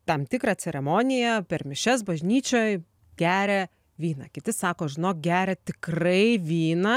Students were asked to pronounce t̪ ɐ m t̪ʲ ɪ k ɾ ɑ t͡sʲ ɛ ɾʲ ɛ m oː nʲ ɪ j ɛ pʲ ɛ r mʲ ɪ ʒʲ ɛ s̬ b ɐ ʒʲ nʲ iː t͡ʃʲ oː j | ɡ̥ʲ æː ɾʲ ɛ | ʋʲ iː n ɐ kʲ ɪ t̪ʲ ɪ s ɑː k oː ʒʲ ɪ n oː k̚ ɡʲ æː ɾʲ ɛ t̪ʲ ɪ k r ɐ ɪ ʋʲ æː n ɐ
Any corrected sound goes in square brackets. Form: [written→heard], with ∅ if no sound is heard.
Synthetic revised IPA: t̪ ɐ m t̪ʲ ɪ k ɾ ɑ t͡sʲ ɛ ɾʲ ɛ m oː nʲ ɪ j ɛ pʲ ɛ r mʲ ɪ [ʒʲ→ʃʲ] ɛ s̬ b ɐ ʒʲ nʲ iː t͡ʃʲ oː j | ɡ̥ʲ æː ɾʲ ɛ | ʋʲ iː n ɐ kʲ ɪ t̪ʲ ɪ s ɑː k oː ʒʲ ɪ n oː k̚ ɡʲ æː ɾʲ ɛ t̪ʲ ɪ k r ɐ ɪ ʋʲ [æː→iː] n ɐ